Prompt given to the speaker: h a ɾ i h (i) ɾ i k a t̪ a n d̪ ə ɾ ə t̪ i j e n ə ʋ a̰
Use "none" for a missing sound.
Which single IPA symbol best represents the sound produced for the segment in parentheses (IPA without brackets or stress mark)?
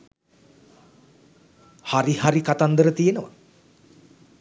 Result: a